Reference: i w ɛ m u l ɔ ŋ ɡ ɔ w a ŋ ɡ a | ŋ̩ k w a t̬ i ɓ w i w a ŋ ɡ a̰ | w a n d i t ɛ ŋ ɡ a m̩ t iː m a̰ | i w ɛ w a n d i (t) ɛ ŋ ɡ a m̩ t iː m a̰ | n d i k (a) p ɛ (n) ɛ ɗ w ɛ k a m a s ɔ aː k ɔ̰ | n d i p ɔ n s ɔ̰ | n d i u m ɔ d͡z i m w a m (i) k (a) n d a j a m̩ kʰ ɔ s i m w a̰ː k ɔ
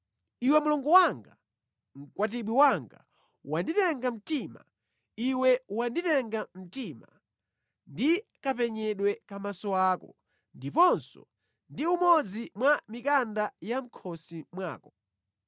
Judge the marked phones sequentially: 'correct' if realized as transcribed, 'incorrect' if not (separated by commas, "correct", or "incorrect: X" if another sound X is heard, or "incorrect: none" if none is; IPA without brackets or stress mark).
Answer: correct, correct, incorrect: ɲ, correct, correct